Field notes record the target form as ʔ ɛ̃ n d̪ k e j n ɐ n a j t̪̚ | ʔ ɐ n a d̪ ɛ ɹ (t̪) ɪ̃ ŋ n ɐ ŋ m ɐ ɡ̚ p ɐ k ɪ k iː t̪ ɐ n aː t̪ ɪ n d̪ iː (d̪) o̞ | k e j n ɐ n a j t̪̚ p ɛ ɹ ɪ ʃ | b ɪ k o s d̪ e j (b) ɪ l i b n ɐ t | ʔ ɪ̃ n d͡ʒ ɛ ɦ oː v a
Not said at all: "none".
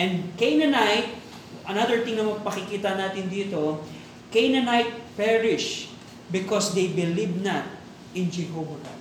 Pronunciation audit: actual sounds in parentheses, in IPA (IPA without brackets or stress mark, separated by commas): t̪, t̪, b